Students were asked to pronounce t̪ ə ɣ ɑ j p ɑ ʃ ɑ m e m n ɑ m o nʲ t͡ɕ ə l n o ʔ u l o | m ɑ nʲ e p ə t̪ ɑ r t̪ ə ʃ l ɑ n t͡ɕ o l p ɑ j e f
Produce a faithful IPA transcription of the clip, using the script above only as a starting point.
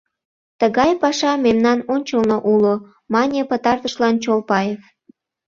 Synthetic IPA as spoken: t̪ ə ɣ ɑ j p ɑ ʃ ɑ m e m n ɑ n o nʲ t͡ɕ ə l n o ʔ u l o | m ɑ nʲ e p ə t̪ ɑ r t̪ ə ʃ l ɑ n t͡ɕ o l p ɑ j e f